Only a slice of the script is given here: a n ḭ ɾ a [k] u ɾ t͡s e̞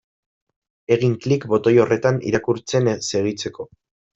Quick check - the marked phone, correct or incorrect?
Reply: correct